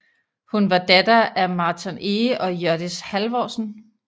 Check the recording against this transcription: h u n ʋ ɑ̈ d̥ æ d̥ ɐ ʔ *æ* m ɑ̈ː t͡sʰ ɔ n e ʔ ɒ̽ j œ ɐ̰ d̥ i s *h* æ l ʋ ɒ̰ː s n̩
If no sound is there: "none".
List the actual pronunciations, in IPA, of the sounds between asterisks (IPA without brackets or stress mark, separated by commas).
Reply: æ, h